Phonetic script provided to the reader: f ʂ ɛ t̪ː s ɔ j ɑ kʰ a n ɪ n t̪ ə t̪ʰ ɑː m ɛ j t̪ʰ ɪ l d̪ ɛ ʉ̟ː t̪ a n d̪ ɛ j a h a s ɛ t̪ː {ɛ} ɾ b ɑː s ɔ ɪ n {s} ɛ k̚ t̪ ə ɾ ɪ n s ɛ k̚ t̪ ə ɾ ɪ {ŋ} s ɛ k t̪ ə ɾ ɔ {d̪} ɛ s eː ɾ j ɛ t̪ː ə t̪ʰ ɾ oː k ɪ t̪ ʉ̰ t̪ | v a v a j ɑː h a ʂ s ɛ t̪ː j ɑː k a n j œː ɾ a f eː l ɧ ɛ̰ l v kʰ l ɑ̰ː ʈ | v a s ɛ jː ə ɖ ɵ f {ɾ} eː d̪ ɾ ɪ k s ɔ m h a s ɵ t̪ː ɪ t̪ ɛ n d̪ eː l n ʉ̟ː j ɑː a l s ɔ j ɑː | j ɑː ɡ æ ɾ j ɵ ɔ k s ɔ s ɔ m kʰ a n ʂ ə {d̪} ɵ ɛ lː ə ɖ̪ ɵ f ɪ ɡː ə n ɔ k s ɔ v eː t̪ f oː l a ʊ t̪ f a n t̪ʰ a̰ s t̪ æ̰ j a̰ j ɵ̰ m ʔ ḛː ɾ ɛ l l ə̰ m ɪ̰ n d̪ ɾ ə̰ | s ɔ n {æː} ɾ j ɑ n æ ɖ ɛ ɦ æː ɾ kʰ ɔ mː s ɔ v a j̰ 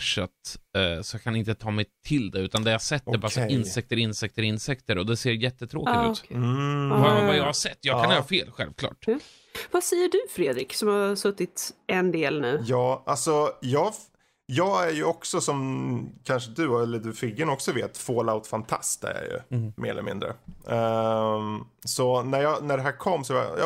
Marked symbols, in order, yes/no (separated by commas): yes, yes, no, yes, yes, yes, no